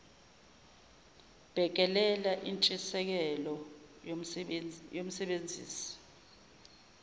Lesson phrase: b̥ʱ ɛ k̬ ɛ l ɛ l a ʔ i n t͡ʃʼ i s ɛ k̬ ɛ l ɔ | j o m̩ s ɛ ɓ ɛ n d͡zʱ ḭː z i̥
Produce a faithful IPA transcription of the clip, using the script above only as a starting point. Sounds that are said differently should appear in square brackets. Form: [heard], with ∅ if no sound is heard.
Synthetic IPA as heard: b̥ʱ ɛ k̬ ɛ l ɛ l a ʔ i n t͡ʃʼ i s ɛ k̬ ɛ l ɔ | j o m̩ s ɛ ɓ [e] n d͡zʱ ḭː [s] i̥